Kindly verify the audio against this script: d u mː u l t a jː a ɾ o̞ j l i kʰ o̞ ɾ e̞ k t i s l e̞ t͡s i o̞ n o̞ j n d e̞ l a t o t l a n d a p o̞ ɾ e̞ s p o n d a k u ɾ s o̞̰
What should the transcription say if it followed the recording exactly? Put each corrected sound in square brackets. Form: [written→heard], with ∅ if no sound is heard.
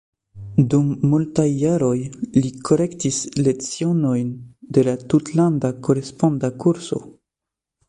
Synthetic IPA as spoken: d u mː u l t a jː a ɾ o̞ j l i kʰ o̞ ɾ e̞ k t i s l e̞ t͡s i o̞ n o̞ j n d e̞ l a t [o→u] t l a n d a [p→k] o̞ ɾ e̞ s p o n d a k u ɾ s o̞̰